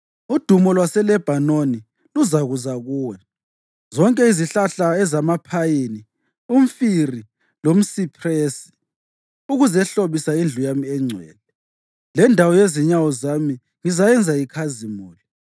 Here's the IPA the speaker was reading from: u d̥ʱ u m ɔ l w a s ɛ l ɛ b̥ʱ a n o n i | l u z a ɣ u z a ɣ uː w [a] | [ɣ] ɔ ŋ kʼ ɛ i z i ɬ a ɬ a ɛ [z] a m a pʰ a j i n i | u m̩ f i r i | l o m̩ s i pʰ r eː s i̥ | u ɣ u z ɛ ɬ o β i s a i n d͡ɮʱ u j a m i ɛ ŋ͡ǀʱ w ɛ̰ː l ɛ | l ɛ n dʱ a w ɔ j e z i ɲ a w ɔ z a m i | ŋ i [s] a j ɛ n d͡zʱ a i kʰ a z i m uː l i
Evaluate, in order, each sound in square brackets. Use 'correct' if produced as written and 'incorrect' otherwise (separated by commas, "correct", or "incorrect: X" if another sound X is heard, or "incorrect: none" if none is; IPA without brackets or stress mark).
incorrect: ɛ, incorrect: z, correct, incorrect: z